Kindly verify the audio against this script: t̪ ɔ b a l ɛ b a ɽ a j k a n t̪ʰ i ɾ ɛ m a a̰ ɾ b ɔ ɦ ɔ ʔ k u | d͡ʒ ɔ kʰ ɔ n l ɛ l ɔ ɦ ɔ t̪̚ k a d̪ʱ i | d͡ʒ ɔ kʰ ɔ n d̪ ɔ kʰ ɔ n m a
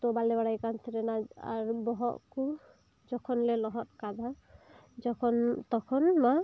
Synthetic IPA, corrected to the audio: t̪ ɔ b a l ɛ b a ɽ a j k a n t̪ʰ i ɾ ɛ n a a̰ ɾ b ɔ ɦ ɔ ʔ k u | d͡ʒ ɔ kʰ ɔ n l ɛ l ɔ ɦ ɔ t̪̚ k a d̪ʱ a | d͡ʒ ɔ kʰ ɔ n t̪ ɔ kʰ ɔ n m a